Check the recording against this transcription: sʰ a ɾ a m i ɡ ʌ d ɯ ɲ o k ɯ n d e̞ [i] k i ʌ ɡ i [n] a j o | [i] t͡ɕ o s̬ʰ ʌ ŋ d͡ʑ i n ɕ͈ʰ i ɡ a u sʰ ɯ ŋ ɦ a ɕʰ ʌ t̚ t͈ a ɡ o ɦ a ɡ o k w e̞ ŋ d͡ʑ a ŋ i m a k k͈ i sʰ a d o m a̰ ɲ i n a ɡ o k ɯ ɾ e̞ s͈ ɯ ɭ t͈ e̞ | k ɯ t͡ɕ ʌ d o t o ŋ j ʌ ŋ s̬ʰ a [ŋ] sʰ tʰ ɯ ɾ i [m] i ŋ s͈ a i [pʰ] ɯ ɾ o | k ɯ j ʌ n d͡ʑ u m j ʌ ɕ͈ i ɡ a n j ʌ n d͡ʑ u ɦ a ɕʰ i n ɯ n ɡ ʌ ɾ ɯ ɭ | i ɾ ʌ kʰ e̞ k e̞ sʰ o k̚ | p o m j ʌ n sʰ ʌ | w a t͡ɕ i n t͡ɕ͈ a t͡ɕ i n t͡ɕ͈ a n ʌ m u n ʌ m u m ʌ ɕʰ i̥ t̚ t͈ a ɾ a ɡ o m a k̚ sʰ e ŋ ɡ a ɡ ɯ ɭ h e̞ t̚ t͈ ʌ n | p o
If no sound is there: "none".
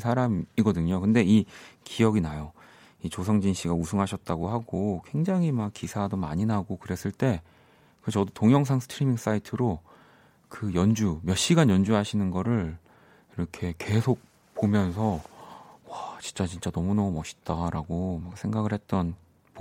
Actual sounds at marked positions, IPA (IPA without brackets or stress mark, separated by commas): i, n, i, ŋ, m, tʰ